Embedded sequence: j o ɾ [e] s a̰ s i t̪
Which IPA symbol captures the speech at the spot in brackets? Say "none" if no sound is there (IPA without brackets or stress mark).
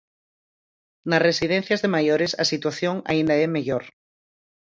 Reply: e